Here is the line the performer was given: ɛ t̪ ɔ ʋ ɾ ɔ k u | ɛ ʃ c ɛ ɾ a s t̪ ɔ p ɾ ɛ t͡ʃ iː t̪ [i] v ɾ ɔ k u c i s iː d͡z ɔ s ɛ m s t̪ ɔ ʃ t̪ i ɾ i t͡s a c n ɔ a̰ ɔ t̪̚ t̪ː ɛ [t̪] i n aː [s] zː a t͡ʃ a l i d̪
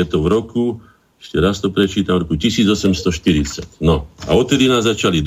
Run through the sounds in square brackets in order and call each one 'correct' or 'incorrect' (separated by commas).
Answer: incorrect, incorrect, incorrect